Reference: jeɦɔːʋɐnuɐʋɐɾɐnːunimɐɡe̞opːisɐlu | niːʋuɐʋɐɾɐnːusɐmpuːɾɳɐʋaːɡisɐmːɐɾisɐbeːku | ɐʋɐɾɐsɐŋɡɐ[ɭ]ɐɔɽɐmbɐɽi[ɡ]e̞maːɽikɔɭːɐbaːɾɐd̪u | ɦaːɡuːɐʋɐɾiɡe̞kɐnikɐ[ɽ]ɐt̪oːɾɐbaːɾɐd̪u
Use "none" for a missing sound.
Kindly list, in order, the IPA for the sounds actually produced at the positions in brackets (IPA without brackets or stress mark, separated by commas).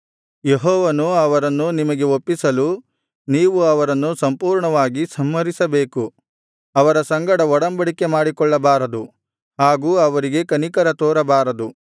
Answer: ɽ, k, ɾ